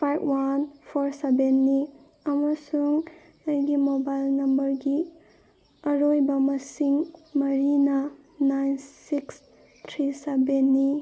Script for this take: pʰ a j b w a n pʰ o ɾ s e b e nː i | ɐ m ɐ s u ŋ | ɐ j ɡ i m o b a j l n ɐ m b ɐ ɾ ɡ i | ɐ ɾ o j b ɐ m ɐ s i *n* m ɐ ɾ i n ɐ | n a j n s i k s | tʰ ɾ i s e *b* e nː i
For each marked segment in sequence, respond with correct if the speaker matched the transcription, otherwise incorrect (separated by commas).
incorrect, correct